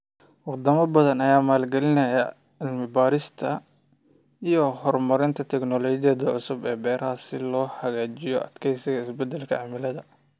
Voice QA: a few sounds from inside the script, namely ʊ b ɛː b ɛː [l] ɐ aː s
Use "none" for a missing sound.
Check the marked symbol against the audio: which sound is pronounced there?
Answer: ɾ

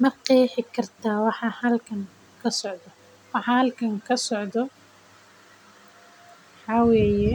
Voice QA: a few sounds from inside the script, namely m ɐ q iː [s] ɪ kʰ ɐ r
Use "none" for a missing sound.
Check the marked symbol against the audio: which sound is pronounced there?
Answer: ħ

